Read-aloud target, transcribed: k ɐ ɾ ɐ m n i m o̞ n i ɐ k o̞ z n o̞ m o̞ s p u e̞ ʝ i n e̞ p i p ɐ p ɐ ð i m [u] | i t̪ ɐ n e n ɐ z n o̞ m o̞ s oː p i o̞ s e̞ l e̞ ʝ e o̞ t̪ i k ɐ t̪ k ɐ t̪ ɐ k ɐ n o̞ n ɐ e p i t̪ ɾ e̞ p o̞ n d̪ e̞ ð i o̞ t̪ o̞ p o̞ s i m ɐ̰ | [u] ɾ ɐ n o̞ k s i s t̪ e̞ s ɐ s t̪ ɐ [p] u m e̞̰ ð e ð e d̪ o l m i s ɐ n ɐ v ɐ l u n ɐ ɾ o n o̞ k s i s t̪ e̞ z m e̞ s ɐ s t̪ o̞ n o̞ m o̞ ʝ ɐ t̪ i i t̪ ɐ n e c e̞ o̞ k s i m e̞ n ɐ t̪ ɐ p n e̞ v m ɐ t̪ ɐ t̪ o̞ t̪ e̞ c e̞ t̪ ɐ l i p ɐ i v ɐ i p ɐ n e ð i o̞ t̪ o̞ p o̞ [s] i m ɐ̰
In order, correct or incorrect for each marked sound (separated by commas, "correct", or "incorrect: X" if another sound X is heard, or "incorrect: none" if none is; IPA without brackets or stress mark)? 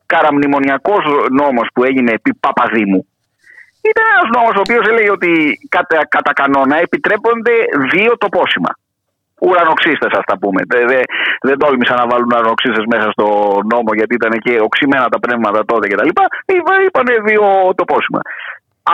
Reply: correct, correct, correct, correct